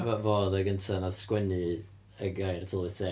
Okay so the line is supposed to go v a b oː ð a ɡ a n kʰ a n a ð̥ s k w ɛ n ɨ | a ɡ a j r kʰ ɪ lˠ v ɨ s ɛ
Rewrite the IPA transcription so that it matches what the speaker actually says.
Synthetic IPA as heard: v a v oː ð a ɡ ə n tʰ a n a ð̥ s k w ɛ n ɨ | ə ɡ a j r tʰ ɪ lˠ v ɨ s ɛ